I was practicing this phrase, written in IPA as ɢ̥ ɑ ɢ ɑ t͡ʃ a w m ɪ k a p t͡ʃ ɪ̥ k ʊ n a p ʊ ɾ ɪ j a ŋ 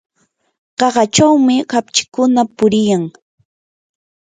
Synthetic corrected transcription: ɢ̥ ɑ ɢ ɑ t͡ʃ a w m ɪ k a p t͡ʃ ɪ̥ k ʊ n a p ʊ ɾ ɪ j a ŋ